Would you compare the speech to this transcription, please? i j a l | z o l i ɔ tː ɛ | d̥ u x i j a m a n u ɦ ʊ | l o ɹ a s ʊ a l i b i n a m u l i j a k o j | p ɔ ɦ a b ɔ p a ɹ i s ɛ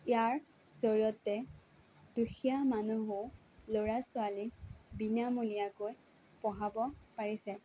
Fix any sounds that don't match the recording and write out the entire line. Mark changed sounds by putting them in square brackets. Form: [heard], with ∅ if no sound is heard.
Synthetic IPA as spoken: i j a [ɹ] | z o [ɹ] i ɔ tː ɛ | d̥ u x i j a m a n u ɦ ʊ | l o ɹ a s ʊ a l i b i n a m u l i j a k o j | p ɔ ɦ a b ɔ p a ɹ i s ɛ